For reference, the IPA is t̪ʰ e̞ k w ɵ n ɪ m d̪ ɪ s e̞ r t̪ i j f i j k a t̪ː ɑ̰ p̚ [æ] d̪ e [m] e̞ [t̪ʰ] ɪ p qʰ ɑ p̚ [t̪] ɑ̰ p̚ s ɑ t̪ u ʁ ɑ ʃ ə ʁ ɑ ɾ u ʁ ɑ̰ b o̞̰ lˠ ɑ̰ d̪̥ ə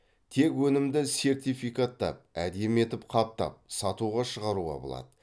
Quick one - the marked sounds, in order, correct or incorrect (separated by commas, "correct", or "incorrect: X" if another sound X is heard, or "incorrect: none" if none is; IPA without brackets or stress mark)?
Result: correct, correct, incorrect: t̪, correct